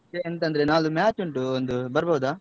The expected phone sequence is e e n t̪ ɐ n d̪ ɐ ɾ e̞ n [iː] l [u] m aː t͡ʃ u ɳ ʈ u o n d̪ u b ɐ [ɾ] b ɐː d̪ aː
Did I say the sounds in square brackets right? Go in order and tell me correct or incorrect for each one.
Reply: incorrect: aː, correct, correct

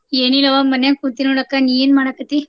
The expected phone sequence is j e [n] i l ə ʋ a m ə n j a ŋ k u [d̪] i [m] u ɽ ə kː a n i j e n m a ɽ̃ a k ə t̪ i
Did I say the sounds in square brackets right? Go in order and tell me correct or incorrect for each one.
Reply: correct, incorrect: t̪, incorrect: n

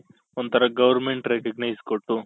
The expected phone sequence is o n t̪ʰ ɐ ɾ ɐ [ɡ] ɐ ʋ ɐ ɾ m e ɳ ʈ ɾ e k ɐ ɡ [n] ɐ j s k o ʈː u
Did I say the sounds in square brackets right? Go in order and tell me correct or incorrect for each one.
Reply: correct, correct

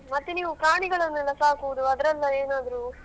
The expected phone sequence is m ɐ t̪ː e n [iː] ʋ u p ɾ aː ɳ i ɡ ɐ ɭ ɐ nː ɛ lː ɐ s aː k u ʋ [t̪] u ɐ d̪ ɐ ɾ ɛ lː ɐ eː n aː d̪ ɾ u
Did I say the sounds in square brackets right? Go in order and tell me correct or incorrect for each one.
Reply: correct, incorrect: d̪

